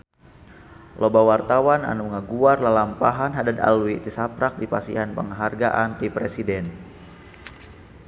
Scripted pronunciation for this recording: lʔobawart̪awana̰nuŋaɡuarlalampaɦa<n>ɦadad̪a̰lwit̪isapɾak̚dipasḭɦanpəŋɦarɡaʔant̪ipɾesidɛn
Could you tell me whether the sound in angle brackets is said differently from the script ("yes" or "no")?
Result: no